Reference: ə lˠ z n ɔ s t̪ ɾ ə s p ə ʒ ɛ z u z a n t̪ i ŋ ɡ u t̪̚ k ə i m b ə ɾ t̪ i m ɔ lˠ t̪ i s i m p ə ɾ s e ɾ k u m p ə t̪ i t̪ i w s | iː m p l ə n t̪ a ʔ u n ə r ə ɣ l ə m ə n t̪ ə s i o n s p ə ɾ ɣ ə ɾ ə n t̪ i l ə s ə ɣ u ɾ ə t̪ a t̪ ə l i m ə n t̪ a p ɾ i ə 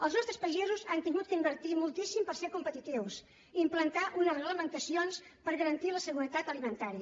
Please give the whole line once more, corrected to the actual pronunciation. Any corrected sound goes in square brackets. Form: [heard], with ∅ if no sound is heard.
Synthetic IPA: ə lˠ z n ɔ s t̪ ɾ ə s p ə ʒ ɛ z u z a n t̪ i ŋ ɡ u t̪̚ k ə i m b ə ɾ t̪ i m [u] lˠ t̪ i s i m p ə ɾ s e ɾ k u m p ə t̪ i t̪ i w s | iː m p l ə n t̪ a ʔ u n ə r ə ɣ l ə m ə n t̪ ə s i o n s p ə ɾ ɣ ə ɾ ə n t̪ i l ə s ə ɣ u ɾ ə t̪ a t̪ ə l i m ə n t̪ a [∅] ɾ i ə